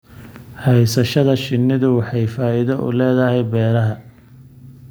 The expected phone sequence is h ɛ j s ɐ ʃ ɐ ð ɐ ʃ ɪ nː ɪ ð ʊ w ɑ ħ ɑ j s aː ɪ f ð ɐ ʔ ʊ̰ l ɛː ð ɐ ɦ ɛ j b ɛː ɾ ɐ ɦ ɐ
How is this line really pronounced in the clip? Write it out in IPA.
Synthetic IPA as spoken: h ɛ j s ɐ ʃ ɐ ð ɐ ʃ ɪ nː ɪ ð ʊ w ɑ ħ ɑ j f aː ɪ ð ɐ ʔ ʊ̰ l ɛː ð ɐ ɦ ɛ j b ɛː ɾ ɐ ɦ ɐ